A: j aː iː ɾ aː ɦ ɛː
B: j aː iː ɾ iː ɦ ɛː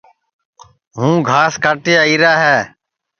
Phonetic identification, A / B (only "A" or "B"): A